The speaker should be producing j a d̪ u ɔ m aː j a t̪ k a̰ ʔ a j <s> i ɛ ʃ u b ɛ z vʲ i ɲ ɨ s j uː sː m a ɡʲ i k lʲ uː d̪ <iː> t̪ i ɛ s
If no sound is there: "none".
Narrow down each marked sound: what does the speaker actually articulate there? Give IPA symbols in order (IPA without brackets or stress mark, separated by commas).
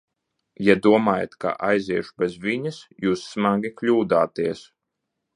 z, aː